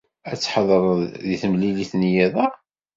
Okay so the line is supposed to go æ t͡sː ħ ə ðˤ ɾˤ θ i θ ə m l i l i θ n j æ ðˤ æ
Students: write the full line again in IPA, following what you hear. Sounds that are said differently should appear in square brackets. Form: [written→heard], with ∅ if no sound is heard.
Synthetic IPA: æ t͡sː ħ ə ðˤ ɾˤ [θ→ð] i θ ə m l i l i θ n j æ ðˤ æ